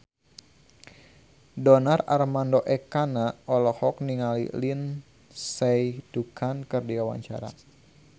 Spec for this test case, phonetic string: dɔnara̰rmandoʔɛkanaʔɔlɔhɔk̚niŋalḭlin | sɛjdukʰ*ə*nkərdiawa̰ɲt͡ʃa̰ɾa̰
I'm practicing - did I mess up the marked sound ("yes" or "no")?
yes